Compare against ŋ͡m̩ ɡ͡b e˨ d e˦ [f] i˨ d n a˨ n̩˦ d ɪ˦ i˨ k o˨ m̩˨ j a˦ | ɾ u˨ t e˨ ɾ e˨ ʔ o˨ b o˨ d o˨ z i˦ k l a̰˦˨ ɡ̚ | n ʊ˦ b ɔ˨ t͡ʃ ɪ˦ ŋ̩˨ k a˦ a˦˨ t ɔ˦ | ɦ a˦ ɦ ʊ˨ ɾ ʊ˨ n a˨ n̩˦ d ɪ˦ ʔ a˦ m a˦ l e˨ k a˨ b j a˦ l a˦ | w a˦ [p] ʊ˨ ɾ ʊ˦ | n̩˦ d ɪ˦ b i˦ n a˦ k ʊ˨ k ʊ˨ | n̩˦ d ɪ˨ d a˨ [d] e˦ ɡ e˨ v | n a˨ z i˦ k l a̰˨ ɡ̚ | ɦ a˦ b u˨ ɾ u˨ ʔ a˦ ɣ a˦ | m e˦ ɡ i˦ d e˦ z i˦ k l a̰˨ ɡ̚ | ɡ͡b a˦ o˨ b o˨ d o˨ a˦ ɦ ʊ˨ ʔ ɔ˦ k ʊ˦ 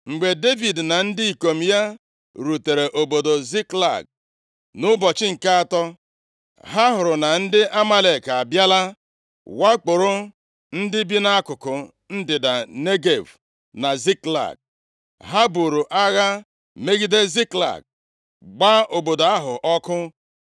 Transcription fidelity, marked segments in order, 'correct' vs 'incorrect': incorrect, incorrect, incorrect

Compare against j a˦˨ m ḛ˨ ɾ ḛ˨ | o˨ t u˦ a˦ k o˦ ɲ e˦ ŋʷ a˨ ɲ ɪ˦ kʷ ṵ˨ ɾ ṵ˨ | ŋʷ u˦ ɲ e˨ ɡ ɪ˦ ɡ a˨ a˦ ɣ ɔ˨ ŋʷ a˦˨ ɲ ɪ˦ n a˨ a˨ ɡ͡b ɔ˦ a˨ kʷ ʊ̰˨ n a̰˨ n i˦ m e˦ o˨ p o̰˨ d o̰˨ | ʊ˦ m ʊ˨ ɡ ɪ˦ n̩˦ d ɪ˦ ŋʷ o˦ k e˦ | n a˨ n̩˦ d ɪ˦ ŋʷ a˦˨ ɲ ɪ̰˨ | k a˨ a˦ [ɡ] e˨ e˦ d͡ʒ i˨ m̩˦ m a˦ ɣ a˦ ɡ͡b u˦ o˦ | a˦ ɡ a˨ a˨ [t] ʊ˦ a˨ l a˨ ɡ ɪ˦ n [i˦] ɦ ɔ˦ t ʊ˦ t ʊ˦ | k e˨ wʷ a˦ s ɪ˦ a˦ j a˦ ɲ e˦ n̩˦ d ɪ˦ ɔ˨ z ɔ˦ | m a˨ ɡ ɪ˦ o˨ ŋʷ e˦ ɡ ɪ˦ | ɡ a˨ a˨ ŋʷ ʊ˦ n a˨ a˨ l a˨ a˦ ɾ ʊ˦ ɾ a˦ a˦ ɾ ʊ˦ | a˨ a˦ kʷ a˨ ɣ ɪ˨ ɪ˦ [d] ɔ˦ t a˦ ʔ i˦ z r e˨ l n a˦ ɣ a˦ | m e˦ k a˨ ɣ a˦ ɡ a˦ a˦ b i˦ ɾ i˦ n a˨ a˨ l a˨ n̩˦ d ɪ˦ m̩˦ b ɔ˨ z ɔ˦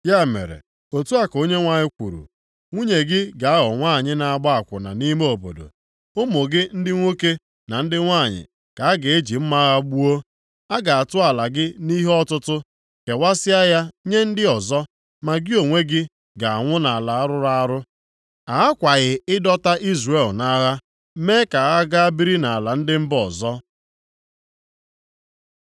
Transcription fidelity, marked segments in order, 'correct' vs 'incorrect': correct, correct, correct, correct

